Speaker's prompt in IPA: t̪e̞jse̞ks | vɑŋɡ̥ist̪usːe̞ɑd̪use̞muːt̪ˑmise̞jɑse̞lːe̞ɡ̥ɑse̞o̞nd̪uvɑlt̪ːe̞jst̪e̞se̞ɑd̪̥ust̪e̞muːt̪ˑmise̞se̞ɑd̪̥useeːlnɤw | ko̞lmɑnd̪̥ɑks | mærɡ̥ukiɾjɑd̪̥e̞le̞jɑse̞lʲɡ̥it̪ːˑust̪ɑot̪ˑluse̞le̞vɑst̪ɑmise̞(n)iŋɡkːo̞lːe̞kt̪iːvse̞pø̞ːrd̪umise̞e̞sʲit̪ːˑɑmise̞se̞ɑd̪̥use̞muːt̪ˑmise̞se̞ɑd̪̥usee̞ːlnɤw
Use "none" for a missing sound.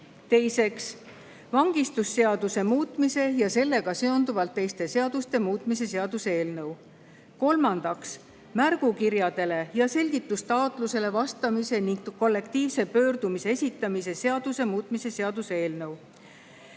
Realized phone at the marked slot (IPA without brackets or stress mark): n